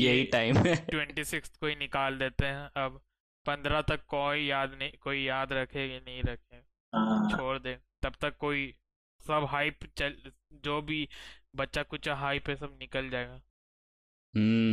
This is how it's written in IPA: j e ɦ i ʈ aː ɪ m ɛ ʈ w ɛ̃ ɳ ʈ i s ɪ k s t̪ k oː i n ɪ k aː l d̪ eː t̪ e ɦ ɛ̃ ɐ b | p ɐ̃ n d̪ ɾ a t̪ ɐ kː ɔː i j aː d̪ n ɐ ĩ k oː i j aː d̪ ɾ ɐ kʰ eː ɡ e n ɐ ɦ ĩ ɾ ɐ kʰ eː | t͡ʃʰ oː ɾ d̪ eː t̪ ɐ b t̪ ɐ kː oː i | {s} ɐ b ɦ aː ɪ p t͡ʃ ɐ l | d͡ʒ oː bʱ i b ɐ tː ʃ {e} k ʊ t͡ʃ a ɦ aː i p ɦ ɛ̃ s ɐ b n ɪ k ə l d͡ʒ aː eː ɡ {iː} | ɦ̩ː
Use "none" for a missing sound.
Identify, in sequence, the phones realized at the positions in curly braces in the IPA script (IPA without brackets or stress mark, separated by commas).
s, a, aː